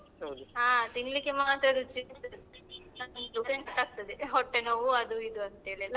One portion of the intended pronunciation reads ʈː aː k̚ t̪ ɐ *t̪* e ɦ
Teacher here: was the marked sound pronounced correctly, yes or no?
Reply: no